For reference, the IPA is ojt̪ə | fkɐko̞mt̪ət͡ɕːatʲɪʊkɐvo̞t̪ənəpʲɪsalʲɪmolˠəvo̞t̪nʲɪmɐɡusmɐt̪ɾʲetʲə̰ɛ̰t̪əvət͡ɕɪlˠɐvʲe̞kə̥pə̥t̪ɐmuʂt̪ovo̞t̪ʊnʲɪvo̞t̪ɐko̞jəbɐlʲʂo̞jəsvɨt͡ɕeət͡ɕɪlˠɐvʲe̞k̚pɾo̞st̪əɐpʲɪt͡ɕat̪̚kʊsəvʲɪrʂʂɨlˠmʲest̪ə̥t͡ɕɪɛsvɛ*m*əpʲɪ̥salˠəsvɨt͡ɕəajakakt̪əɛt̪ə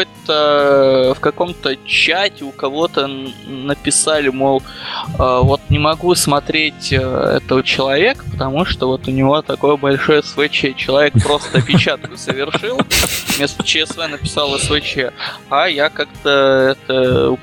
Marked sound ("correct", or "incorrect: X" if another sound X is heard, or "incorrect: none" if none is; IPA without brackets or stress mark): incorrect: n